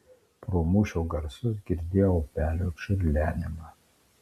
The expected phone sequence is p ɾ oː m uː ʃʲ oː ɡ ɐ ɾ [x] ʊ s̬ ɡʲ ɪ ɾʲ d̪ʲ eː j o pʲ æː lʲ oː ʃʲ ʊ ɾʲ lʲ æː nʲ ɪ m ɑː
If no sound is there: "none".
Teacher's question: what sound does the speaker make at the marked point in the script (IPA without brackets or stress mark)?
s